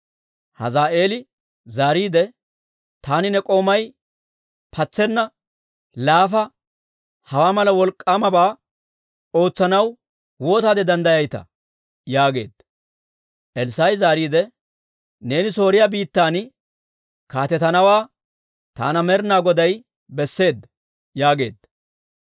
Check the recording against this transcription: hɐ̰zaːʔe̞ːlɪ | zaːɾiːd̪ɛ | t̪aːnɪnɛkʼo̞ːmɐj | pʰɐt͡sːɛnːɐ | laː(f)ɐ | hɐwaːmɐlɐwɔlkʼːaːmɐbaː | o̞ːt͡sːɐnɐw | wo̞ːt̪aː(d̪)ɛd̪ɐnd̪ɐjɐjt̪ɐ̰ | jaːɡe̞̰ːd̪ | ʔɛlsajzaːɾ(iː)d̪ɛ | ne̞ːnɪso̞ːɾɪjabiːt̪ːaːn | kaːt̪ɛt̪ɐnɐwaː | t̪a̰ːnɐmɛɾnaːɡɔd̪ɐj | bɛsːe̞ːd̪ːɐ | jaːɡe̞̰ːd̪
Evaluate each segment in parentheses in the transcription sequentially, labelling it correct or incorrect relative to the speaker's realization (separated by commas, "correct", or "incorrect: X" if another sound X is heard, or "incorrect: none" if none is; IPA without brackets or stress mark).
correct, correct, correct